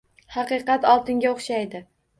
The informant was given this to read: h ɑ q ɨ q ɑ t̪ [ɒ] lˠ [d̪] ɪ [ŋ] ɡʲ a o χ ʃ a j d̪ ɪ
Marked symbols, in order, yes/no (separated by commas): yes, no, yes